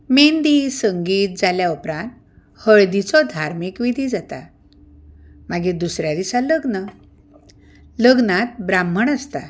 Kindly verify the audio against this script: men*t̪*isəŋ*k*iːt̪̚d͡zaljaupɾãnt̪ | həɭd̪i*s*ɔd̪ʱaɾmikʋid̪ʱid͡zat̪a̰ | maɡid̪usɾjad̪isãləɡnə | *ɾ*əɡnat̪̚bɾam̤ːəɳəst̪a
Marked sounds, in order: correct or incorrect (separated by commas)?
incorrect, incorrect, incorrect, incorrect